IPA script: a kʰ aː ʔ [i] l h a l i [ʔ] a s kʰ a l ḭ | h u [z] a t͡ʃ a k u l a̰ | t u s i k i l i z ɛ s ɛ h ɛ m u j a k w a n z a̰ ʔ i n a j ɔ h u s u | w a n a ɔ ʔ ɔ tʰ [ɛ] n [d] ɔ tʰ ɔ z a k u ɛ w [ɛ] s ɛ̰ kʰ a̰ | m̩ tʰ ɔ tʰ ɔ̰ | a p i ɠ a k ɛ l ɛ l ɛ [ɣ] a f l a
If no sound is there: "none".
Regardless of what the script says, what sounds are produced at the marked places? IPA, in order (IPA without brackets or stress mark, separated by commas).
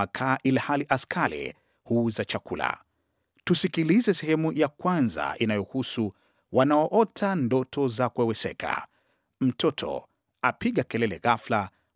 i, ʔ, z, a, d, ɛ, ɣ